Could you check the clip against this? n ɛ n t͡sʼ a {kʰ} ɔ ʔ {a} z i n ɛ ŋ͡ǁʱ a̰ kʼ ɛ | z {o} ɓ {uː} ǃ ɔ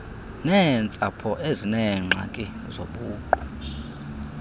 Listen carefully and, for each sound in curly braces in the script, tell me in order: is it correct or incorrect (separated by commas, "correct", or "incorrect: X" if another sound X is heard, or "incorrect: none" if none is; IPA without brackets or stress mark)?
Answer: incorrect: pʰ, incorrect: e, correct, correct